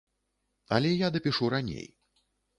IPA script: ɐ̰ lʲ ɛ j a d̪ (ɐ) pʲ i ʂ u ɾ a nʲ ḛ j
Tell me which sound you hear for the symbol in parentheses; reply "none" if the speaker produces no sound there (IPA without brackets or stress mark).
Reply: ɐ